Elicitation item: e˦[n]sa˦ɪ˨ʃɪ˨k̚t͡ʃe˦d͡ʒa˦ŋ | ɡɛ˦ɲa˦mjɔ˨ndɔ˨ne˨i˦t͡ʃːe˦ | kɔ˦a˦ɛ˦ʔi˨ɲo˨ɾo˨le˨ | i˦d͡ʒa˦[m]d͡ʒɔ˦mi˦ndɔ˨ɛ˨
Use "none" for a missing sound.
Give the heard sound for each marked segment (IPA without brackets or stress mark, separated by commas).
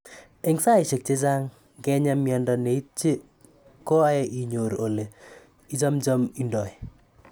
ŋ, m